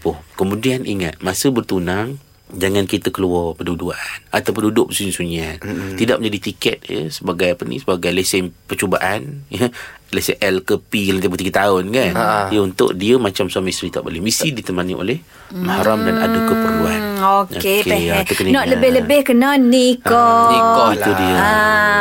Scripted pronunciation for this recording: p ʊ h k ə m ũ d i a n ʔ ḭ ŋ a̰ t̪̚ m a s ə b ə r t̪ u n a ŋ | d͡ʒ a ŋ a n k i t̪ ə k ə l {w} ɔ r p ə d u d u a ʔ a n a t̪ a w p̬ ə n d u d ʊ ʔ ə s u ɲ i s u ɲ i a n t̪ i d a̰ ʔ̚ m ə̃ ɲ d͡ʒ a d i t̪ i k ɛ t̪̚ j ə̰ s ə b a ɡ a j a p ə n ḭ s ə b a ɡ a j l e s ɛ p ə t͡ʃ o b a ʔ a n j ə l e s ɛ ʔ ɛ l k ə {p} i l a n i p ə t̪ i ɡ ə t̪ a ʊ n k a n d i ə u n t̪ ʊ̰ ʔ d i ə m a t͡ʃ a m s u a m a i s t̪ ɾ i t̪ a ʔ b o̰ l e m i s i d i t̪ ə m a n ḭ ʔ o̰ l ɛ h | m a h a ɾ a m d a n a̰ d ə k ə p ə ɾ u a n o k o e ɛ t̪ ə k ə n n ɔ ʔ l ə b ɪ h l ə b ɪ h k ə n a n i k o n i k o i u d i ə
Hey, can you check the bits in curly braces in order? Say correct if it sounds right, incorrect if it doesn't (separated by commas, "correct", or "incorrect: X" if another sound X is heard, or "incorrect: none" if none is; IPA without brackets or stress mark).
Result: incorrect: u, correct